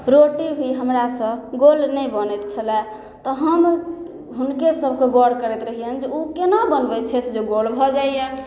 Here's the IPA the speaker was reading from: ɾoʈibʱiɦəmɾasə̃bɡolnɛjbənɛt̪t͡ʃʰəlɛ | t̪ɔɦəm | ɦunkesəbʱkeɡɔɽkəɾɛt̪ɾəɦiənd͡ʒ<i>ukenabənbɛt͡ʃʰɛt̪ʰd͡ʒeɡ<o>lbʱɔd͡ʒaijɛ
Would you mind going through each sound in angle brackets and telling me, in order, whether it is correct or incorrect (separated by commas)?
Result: incorrect, correct